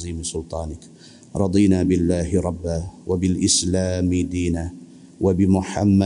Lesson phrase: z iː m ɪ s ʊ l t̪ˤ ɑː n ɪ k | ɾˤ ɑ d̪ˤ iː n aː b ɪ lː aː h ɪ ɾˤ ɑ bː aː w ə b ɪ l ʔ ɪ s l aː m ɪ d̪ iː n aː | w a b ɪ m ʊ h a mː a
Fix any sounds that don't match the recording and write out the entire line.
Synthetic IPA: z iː m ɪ s ʊ l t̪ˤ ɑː n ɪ k | ɾˤ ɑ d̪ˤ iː n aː b ɪ lː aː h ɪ ɾˤ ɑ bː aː w a b ɪ l ʔ ɪ s l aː m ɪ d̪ iː n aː | w a b ɪ m ʊ ħ a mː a